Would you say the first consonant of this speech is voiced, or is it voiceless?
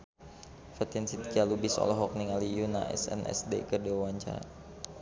voiceless